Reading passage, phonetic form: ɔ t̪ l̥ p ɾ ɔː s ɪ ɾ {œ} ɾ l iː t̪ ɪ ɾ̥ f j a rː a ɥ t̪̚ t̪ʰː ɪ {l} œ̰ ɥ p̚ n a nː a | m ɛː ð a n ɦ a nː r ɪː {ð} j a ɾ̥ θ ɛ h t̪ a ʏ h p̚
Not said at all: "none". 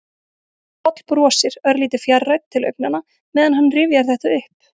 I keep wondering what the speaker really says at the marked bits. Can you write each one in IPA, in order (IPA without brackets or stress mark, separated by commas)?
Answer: œ, l, v